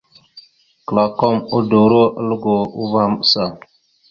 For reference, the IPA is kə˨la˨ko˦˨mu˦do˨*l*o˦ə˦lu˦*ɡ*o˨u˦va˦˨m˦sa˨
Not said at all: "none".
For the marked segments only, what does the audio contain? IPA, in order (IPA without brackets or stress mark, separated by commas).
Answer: ɾ, ɡ